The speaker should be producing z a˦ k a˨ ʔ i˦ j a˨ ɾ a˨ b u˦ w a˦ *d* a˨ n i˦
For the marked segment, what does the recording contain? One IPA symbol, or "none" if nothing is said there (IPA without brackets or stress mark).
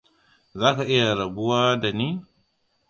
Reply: d